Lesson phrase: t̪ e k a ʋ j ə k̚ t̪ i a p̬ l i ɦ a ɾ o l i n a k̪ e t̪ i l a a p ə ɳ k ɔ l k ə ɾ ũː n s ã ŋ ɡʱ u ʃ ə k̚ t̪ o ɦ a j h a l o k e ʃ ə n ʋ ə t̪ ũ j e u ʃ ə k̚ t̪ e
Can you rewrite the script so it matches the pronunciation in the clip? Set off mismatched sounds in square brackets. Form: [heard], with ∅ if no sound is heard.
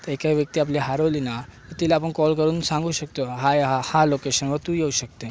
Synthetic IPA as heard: t̪ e k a ʋ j ə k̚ t̪ i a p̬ l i ɦ a ɾ o l i n a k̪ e t̪ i l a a p ə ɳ k ɔ l k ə ɾ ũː n s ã ŋ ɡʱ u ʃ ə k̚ t̪ o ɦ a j h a l o k e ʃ ə n ʋ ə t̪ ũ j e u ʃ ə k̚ t̪ e